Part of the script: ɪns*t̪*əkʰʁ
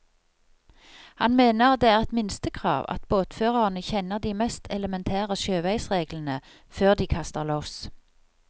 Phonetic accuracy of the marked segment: correct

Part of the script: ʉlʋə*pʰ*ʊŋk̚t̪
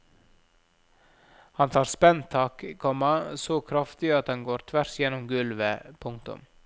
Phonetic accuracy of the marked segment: correct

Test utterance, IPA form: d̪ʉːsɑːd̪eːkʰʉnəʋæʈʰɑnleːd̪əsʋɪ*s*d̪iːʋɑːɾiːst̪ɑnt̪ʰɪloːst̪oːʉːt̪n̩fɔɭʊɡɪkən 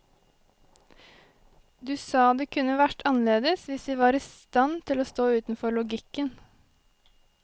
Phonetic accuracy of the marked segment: correct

